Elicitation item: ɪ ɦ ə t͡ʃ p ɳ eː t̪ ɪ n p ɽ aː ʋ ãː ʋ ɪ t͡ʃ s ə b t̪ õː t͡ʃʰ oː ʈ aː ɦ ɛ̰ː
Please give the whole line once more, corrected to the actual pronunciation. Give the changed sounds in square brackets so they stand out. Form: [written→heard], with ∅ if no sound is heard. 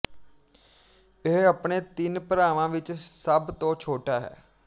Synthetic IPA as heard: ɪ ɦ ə [t͡ʃ→∅] p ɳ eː t̪ ɪ n p [ɽ→ɾ] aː ʋ ãː ʋ ɪ t͡ʃ s ə b t̪ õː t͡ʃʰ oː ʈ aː ɦ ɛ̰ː